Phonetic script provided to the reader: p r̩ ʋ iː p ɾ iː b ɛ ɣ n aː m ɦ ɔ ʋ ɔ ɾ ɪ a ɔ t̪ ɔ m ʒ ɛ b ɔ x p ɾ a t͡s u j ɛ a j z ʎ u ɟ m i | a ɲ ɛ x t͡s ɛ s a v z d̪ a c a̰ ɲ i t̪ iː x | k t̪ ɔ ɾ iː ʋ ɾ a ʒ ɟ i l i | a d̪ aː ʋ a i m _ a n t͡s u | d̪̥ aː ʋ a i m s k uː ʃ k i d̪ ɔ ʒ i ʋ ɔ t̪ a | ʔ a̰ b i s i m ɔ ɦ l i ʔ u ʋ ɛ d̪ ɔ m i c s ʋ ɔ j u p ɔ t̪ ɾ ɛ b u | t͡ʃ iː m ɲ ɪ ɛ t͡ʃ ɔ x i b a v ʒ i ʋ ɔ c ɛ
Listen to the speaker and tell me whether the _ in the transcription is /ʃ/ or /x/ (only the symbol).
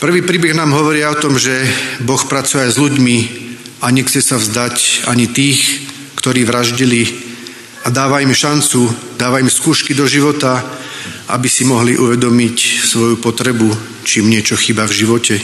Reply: ʃ